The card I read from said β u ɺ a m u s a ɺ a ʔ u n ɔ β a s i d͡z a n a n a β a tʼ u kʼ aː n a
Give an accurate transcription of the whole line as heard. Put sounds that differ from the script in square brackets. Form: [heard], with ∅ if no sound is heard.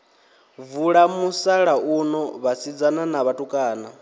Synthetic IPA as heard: [v] u ɺ a m u s a ɺ a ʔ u n ɔ β a s i d͡z a n a n a β a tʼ u kʼ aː n a